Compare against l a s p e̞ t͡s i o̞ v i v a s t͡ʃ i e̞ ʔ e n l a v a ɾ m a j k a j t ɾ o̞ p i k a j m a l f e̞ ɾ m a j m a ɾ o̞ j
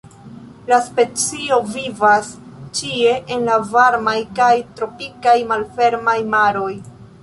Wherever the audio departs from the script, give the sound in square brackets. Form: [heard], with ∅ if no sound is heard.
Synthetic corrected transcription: l a s p e̞ t͡s i o̞ v i v a s t͡ʃ i e̞ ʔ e n l a v a ɾ m a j k a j t ɾ o̞ p i k a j m a l f e̞ ɾ m a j m a ɾ o̞ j